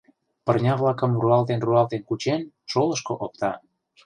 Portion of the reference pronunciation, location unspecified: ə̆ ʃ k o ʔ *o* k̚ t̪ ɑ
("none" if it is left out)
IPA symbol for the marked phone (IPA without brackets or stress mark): o